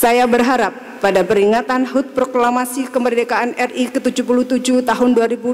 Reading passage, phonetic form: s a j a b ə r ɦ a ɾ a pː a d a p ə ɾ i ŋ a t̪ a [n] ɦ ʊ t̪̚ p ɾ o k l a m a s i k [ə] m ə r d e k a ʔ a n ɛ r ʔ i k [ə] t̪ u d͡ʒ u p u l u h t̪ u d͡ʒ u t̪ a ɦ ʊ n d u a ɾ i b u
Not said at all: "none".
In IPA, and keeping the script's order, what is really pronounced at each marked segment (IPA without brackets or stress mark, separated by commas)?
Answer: n, ə, ə